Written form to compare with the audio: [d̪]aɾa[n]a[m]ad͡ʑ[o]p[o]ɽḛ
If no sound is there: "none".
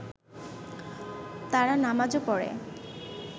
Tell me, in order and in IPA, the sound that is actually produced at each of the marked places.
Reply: t̪, n, m, o, ɔ

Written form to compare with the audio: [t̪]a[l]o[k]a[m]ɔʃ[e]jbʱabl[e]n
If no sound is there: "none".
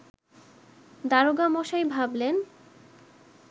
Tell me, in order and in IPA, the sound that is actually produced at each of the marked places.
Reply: d̪, ɾ, ɡ, m, a, e

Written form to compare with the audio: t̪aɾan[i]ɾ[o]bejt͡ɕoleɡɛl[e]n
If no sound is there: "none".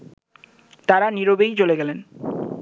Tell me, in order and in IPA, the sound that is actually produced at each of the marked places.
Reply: i, o, e

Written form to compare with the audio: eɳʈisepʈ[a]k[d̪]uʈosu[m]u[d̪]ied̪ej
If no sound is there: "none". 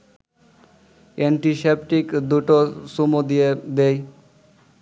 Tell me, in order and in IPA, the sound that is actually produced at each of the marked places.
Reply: i, d̪, m, d̪

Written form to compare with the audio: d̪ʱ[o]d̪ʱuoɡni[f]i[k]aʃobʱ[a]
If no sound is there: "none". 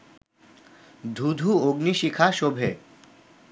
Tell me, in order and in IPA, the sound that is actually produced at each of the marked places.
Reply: u, ʃ, kʰ, e

